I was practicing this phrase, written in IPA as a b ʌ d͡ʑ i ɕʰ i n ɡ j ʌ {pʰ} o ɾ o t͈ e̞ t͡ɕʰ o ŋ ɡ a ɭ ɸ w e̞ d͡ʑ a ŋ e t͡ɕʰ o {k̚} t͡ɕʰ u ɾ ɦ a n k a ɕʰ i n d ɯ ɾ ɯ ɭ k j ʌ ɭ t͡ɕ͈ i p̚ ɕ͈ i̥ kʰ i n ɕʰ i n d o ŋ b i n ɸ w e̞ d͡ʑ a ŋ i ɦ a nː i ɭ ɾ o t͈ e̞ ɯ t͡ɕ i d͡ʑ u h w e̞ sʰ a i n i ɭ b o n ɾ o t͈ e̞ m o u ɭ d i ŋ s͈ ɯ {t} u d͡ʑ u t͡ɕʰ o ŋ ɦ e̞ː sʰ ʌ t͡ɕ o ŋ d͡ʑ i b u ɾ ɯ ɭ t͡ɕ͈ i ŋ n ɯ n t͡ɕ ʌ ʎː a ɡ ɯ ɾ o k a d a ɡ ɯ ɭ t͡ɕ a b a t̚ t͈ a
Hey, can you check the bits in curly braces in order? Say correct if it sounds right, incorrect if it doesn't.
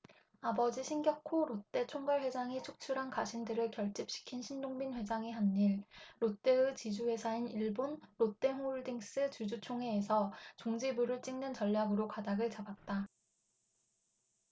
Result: incorrect: kʰ, correct, incorrect: t͡ɕ

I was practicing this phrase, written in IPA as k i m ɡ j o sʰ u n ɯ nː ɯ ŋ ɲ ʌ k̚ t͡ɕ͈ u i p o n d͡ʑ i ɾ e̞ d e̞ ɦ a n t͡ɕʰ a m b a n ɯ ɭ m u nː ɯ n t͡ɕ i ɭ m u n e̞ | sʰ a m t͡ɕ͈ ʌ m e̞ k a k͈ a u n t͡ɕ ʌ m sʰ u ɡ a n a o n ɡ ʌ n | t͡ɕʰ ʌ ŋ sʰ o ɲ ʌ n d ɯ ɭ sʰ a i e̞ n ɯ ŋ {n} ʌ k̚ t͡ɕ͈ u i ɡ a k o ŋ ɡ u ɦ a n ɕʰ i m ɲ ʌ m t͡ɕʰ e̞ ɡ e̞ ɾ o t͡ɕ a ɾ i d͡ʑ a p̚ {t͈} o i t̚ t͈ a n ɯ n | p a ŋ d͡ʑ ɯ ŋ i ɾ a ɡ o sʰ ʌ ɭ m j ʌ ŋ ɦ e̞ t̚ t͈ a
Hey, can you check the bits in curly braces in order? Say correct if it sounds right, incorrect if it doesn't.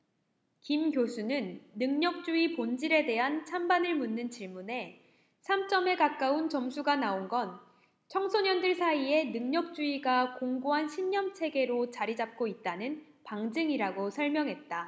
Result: incorrect: ɲ, incorrect: k͈

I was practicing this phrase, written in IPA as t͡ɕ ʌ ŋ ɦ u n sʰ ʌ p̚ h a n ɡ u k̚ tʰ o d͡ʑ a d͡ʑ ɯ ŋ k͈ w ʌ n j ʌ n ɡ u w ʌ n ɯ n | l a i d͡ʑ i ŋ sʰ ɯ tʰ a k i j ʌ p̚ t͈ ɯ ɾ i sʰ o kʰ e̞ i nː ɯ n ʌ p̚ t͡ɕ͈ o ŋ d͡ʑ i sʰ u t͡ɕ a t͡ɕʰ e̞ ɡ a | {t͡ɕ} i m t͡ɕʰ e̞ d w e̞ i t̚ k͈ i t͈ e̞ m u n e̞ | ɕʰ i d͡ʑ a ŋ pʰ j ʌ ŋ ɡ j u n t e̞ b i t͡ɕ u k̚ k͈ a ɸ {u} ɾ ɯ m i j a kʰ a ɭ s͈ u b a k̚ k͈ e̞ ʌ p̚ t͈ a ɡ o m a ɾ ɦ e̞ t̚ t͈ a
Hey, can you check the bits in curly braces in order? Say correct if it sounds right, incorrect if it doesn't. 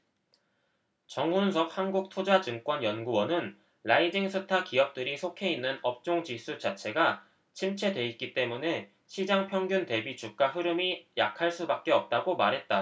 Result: incorrect: t͡ɕʰ, incorrect: ɯ

